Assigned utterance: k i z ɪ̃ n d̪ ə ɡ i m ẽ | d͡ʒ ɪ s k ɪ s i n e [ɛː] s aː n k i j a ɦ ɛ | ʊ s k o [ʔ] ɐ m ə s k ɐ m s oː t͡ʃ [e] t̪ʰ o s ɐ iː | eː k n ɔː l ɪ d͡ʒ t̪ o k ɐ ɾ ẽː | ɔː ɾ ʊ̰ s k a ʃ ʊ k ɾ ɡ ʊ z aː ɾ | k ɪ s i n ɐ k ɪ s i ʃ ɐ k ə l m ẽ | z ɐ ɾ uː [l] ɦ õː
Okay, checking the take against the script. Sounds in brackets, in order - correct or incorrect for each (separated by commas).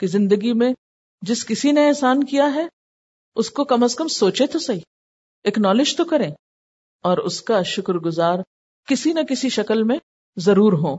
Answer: correct, incorrect, correct, incorrect